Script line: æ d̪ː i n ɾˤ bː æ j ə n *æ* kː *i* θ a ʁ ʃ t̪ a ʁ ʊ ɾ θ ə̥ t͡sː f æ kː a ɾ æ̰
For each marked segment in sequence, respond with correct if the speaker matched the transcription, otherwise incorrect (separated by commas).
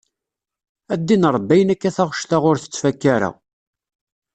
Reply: correct, incorrect